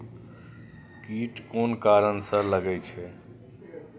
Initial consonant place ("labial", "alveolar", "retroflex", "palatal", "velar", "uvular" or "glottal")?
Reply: velar